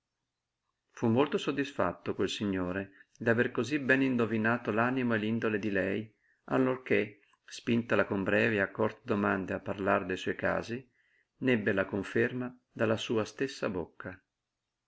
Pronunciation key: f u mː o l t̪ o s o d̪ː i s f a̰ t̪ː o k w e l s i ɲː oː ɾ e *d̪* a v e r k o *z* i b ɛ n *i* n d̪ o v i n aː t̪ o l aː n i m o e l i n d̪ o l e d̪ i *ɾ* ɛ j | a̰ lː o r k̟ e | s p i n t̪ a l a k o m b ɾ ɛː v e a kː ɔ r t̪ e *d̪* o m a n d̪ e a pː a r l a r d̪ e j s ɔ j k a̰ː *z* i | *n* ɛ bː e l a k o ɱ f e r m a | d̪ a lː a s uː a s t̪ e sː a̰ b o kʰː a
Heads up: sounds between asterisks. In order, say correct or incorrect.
correct, correct, correct, incorrect, correct, correct, correct

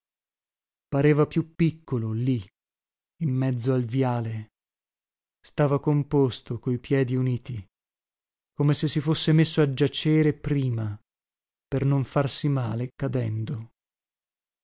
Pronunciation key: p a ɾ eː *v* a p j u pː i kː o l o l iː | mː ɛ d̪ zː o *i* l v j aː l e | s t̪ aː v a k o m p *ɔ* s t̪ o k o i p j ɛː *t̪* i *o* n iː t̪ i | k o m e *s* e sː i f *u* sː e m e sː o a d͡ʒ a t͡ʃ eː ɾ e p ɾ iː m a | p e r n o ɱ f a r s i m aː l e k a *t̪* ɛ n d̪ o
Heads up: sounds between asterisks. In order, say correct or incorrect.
correct, incorrect, incorrect, incorrect, incorrect, correct, incorrect, incorrect

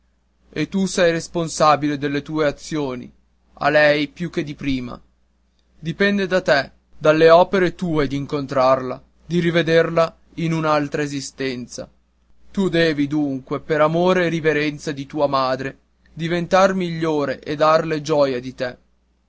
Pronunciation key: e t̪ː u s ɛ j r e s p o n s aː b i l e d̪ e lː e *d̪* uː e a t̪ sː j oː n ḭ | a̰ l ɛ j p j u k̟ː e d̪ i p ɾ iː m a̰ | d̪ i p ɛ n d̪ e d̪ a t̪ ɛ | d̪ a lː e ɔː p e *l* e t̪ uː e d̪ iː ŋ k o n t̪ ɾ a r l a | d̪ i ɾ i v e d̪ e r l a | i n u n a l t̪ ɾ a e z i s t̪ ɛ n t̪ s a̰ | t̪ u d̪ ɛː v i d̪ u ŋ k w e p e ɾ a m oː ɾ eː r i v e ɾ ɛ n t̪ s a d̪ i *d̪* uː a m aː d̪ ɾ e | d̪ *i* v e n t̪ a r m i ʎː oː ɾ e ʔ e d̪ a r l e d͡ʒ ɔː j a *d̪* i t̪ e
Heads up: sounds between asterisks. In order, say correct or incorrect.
incorrect, incorrect, incorrect, correct, correct

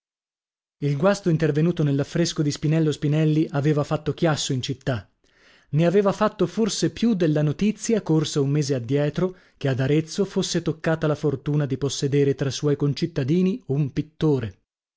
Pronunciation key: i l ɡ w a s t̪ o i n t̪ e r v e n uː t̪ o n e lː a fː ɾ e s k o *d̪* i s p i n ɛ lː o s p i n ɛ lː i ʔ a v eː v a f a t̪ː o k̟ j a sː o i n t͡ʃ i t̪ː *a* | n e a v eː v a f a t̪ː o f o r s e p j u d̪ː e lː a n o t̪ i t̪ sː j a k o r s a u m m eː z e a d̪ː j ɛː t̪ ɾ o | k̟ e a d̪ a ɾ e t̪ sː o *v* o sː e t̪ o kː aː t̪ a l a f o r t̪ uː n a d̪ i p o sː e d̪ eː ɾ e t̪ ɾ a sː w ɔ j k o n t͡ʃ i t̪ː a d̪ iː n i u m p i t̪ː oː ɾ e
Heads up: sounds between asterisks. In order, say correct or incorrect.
correct, correct, incorrect

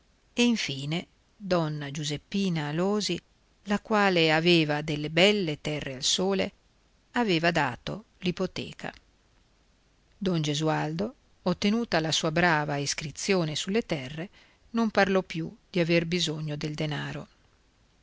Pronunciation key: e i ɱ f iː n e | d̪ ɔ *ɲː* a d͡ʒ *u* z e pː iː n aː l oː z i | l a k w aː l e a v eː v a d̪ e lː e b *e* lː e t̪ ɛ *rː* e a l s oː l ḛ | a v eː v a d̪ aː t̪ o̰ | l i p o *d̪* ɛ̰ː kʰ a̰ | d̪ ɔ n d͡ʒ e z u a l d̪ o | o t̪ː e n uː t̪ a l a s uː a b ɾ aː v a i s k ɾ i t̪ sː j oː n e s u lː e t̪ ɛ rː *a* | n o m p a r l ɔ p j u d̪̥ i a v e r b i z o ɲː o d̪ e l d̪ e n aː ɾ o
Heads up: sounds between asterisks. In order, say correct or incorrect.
incorrect, correct, incorrect, correct, incorrect, incorrect

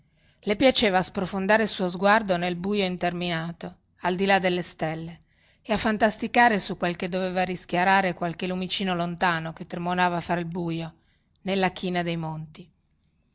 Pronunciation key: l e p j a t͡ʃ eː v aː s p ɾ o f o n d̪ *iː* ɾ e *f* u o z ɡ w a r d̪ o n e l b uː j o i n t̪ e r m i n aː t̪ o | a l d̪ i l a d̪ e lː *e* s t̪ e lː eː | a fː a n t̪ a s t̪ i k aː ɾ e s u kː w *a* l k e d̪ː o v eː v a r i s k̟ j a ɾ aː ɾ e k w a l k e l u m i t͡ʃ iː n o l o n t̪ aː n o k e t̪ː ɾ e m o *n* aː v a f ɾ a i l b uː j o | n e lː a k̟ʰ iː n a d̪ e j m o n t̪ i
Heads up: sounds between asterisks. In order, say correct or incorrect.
incorrect, incorrect, correct, incorrect, correct

